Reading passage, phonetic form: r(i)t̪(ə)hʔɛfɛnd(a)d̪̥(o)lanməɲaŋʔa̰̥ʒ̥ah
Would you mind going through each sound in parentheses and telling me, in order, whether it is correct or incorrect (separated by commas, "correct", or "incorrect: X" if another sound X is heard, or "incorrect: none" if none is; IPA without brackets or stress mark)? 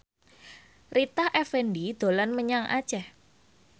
correct, incorrect: a, incorrect: i, correct